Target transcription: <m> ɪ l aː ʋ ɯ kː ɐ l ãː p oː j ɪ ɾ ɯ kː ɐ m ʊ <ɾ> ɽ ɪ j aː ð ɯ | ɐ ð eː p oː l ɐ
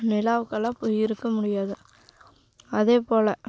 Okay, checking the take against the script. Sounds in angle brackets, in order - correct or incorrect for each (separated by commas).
incorrect, incorrect